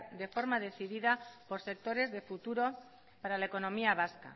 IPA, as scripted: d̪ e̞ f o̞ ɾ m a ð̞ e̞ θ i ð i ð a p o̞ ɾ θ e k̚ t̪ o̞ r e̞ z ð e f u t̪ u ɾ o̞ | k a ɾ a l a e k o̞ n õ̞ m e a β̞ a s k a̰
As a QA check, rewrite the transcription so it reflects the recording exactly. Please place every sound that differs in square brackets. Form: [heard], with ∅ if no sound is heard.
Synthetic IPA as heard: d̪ e̞ f o̞ ɾ m a ð̞ e̞ θ i ð i ð a p o̞ ɾ [s] e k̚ t̪ o̞ [ɾ] e̞ z ð e f u t̪ u ɾ o̞ | [p] a ɾ a l a e k o̞ n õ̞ m [i] a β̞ a s k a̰